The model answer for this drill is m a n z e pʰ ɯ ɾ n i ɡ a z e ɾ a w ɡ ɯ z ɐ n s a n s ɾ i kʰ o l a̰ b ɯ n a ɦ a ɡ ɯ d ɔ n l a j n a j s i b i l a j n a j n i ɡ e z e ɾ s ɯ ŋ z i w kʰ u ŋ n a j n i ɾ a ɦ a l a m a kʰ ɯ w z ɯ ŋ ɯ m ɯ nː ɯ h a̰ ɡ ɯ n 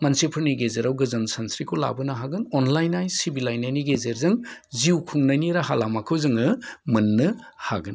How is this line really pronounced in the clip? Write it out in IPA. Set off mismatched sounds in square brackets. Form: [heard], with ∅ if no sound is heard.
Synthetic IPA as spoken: m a n [s] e pʰ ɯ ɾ n i ɡ [e] z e ɾ a w ɡ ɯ z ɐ n s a n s ɾ i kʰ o l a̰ b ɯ n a ɦ a ɡ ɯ [n] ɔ n l a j n a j s i b i l a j n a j n i ɡ e z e ɾ [z] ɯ ŋ z i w kʰ u ŋ n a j n i ɾ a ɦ a l a m a kʰ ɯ w z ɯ ŋ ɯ m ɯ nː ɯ h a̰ ɡ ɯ n